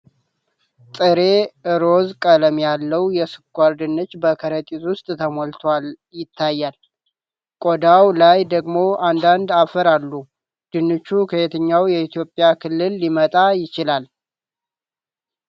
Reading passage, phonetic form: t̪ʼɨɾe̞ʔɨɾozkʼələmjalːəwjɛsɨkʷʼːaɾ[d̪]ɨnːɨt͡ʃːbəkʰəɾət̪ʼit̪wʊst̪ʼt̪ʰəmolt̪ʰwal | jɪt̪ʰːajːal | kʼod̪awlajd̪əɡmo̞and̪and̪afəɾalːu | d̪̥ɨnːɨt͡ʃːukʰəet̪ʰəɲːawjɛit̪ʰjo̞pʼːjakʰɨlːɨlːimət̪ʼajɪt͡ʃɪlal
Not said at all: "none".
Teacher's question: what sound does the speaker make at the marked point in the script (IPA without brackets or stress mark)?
d̪